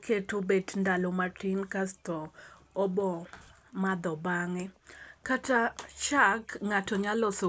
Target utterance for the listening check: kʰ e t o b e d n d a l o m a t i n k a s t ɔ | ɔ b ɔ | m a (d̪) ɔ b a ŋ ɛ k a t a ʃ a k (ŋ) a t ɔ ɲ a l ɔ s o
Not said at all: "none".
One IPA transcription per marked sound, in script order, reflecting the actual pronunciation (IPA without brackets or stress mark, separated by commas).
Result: d̪, ŋ